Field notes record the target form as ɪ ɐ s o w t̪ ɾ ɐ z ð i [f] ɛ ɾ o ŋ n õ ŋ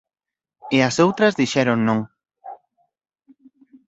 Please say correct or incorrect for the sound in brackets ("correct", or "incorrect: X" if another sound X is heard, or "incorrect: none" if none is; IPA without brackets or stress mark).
incorrect: ʃ